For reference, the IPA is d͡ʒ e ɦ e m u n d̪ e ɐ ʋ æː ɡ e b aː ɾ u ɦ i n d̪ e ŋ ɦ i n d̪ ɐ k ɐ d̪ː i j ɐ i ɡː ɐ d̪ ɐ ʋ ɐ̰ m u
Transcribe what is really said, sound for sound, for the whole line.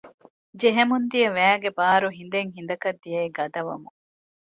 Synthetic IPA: d͡ʒ e ɦ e m u n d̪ i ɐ ʋ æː ɡ e b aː ɾ u ɦ i n d̪ e ŋ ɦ i n d̪ ɐ k ɐ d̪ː i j ɐ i ɡ ɐ d̪ ɐ ʋ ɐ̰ m u